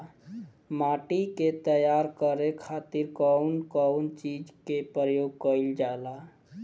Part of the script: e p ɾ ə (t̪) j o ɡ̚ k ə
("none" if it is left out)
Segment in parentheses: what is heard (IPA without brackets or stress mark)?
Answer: none